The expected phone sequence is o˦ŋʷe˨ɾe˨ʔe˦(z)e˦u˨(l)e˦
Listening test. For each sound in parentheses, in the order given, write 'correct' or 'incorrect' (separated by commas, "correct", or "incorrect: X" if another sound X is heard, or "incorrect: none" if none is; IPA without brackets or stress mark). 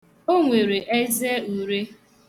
correct, incorrect: ɾ